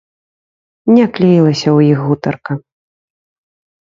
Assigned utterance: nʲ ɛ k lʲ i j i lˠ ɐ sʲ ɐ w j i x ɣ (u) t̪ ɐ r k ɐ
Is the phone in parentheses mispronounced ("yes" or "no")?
no